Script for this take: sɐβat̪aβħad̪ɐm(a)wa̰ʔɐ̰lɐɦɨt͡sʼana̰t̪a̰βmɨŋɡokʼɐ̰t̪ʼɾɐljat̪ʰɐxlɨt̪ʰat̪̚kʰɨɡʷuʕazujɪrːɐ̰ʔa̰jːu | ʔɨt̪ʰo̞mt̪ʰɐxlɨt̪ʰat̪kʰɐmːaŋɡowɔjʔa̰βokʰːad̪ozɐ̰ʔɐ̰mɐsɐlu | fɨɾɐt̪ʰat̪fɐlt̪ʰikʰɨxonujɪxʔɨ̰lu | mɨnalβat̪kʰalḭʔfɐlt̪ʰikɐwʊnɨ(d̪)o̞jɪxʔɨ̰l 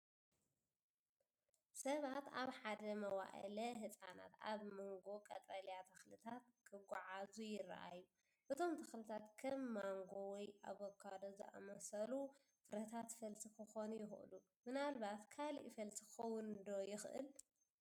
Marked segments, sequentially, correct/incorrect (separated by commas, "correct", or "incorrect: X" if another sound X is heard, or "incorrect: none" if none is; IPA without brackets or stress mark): incorrect: ɐ, correct